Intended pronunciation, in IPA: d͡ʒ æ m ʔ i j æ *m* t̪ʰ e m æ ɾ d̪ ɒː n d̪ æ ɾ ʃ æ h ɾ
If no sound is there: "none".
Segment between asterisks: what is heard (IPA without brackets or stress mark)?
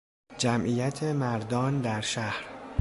none